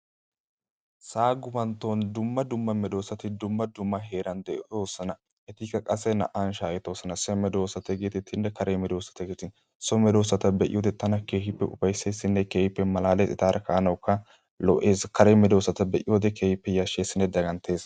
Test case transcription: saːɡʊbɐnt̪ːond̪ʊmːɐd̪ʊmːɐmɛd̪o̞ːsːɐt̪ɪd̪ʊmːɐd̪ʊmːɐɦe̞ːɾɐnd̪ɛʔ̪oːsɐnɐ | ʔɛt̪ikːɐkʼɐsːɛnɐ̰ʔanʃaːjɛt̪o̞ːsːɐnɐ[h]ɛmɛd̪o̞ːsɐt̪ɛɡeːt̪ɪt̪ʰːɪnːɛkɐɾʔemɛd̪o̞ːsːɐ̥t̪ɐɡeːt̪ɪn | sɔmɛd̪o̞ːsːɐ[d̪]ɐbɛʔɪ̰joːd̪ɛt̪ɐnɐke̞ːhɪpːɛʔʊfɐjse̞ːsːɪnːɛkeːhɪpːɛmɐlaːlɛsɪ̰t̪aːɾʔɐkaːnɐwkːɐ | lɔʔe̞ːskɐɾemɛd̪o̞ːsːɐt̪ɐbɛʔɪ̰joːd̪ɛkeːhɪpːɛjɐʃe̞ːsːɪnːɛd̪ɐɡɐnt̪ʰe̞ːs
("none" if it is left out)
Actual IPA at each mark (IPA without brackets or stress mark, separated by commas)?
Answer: s, t̪